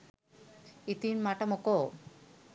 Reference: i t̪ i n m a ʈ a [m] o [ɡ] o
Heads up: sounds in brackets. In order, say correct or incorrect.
correct, incorrect: k

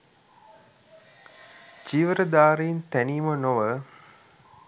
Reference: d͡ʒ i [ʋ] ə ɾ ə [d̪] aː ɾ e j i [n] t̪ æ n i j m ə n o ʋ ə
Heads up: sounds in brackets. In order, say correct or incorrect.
correct, correct, correct

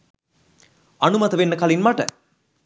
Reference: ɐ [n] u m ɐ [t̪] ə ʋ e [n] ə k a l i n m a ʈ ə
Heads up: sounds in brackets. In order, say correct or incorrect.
correct, correct, incorrect: nː

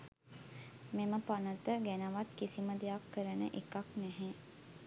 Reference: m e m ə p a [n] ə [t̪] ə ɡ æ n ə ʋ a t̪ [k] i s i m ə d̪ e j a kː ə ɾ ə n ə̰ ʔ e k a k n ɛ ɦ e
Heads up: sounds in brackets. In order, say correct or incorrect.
correct, correct, correct

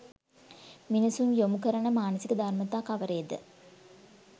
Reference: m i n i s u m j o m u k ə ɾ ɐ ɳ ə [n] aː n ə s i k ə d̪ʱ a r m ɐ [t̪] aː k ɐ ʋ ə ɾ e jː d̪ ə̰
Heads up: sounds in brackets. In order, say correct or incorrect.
incorrect: m, correct

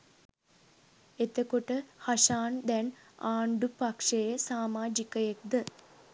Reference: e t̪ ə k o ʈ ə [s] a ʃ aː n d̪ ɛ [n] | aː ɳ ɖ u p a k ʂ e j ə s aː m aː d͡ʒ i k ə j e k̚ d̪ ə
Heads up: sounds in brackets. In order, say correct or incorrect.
incorrect: h, correct

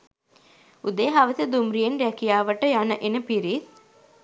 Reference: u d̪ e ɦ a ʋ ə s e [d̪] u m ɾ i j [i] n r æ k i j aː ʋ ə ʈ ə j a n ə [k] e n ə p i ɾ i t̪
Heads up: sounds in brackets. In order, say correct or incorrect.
correct, incorrect: e, incorrect: ʔ

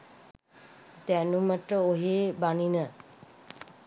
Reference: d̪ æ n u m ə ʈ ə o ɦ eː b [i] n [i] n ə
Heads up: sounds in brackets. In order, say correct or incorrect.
incorrect: a, correct

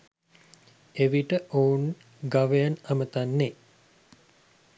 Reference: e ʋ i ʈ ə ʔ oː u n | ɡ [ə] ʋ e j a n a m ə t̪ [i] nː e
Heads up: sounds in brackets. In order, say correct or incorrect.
incorrect: a, incorrect: a

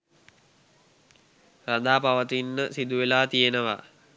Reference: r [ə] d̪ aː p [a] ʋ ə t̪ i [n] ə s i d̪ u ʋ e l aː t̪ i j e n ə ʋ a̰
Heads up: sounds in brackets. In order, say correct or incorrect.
incorrect: a, correct, incorrect: nː

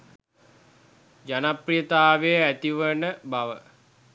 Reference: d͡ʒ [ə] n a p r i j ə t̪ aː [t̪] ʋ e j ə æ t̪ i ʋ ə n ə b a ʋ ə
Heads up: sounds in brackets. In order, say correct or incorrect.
incorrect: a, incorrect: none

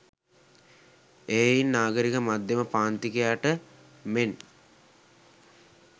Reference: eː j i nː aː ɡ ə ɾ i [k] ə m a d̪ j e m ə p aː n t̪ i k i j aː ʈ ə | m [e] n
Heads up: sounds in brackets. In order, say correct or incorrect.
correct, correct

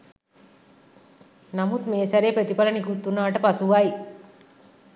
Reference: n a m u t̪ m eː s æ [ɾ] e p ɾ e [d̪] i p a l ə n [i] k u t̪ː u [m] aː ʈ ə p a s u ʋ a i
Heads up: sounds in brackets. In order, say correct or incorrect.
correct, incorrect: t̪, correct, incorrect: n

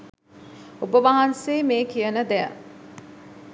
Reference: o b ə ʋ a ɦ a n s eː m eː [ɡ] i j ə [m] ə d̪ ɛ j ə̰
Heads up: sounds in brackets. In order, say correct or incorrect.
incorrect: k, incorrect: n

